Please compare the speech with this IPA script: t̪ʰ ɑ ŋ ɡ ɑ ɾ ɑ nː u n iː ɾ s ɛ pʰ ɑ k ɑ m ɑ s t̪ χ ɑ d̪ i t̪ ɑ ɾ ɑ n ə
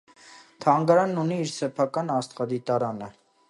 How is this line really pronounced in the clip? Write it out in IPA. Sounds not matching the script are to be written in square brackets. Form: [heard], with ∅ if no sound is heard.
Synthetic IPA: t̪ʰ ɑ ŋ ɡ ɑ ɾ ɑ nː u n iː ɾ s ɛ pʰ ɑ k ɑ [n] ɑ s t̪ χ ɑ d̪ i t̪ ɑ ɾ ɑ n ə